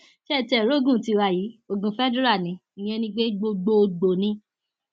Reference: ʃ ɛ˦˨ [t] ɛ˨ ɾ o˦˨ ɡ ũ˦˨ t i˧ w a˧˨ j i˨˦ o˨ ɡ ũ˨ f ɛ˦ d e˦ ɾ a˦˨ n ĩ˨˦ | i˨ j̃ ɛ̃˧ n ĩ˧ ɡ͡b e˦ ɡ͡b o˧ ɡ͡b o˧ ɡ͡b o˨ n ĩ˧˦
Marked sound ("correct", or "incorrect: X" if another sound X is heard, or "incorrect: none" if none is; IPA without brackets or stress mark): correct